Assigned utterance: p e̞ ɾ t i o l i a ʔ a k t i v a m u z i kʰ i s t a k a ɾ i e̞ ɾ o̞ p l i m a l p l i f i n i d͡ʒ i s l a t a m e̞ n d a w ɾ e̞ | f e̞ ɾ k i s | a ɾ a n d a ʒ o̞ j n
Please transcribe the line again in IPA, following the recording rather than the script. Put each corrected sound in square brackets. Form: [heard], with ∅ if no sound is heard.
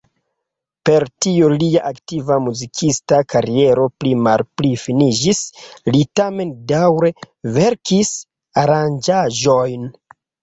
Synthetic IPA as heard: p e̞ ɾ t i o l i a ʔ a k t i v a m u z i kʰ i s t a k a ɾ i e̞ ɾ o̞ p l i m a l p l i f i n i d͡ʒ i s l [i] t a m e̞ n d a w ɾ e̞ | [v] e̞ ɾ k i s | a ɾ a n [d͡ʒ] a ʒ o̞ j n